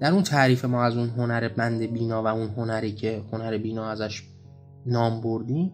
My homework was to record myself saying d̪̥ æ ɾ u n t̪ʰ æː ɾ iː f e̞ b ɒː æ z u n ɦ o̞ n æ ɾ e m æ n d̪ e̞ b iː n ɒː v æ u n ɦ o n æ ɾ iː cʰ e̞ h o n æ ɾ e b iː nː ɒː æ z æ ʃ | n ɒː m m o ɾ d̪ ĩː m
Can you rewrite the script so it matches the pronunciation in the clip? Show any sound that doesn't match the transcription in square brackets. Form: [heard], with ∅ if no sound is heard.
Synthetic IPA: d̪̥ æ ɾ u n t̪ʰ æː ɾ iː f e̞ [m] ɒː æ z u n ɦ o̞ n æ ɾ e [b] æ n d̪ e̞ b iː n ɒː v æ u n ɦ o n æ ɾ iː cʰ e̞ h o n æ ɾ e b iː [n] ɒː æ z æ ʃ | n ɒː m [b] o ɾ d̪ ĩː m